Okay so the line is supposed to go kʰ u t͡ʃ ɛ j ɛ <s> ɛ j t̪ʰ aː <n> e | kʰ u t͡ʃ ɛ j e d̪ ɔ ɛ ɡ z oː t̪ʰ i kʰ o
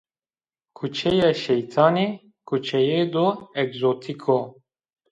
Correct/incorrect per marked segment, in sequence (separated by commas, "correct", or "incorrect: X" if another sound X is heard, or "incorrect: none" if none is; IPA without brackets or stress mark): incorrect: ʃ, correct